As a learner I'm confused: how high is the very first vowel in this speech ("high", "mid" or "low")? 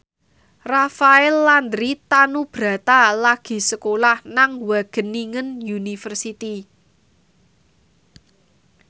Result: low